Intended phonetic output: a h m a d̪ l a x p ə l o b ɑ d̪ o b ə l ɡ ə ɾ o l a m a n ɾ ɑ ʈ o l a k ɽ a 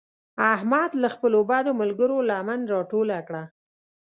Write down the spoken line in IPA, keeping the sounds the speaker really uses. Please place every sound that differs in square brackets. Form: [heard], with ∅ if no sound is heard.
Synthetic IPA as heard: a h m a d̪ l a x p ə l o b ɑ d̪ o [m] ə l ɡ ə ɾ o l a m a n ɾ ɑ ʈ o l a k ɽ a